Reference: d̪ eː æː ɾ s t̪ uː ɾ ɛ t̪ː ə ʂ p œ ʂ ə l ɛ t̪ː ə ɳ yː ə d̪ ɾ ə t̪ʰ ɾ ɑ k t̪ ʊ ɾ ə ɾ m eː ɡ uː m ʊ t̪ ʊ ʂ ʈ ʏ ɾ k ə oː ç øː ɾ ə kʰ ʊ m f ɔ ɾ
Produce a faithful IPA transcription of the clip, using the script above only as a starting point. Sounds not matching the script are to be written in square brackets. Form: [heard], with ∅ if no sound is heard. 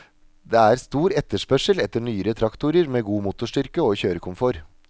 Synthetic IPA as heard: d̪ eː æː ɾ s t̪ uː ɾ ɛ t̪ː ə ʂ p œ ʂ ə l ɛ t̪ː ə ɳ yː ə [∅] ɾ ə t̪ʰ ɾ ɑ k t̪ ʊ ɾ ə ɾ m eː ɡ uː m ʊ t̪ ʊ ʂ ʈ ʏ ɾ k ə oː ç øː ɾ ə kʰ ʊ m f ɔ ɾ